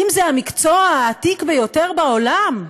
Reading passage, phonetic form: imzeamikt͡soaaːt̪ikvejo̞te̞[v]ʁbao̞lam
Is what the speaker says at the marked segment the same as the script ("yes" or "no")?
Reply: no